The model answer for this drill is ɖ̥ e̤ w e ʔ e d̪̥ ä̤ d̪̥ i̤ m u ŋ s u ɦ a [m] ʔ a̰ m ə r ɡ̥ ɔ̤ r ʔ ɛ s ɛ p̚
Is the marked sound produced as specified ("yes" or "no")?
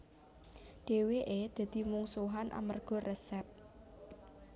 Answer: no